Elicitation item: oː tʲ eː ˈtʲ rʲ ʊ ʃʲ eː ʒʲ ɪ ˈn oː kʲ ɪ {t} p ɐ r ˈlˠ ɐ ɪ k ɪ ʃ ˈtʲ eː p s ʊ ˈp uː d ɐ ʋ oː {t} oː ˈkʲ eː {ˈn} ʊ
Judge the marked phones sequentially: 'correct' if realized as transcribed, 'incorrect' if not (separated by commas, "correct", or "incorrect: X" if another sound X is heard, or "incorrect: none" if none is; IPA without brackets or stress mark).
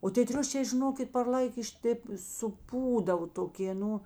correct, correct, correct